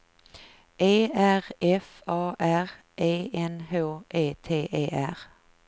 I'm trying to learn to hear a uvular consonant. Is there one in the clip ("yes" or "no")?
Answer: yes